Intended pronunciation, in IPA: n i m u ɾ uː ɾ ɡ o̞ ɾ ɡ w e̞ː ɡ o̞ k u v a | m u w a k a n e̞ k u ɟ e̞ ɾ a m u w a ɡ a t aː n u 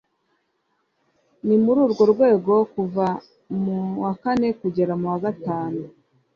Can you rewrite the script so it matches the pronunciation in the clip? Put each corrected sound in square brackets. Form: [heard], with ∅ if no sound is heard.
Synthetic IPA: n i m u ɾ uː ɾ ɡ o̞ ɾ ɡ w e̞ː ɡ o̞ k u v a | m u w a k a n e̞ k u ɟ e̞ ɾ a m u w a ɡ a t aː n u